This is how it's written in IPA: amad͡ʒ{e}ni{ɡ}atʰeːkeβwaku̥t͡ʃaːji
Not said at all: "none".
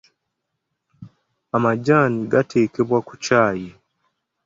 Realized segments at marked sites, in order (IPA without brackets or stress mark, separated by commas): a, ɡ